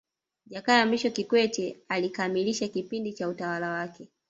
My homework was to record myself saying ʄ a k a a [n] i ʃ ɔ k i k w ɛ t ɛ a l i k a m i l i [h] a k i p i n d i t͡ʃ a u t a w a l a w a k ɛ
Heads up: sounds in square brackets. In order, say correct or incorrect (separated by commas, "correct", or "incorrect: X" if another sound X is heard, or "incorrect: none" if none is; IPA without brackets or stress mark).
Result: incorrect: m, incorrect: ʃ